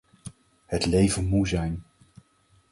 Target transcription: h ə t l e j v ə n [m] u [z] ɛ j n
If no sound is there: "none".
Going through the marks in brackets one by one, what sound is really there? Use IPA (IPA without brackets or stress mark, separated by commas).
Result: m, z